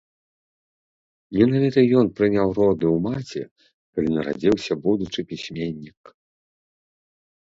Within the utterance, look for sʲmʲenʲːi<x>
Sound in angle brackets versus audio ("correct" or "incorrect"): incorrect